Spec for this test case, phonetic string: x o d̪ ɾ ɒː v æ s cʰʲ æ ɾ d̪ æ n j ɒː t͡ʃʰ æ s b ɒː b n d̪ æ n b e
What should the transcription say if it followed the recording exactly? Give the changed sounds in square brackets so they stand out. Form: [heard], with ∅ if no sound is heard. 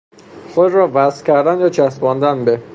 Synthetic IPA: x o d̪ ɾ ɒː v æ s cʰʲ æ ɾ d̪ æ n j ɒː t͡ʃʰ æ s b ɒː [∅] n d̪ æ n b e